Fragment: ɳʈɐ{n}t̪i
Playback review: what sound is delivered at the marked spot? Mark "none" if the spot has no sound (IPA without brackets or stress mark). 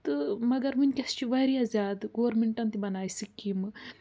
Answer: n